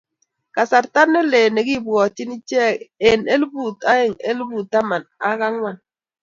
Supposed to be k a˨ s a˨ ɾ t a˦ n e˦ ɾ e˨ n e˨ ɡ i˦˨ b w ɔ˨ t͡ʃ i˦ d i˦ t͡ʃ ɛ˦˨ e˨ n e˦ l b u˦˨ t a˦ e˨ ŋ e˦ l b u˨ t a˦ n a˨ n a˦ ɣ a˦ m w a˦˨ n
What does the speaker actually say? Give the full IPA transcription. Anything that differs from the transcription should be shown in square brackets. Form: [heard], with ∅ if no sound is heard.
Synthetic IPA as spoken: k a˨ s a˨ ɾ t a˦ n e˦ [l] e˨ n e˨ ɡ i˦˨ b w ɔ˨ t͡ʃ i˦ [n] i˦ t͡ʃ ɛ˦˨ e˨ n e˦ l b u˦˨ t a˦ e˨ ŋ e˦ l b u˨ t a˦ [m] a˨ n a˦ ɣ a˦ [ŋ] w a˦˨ n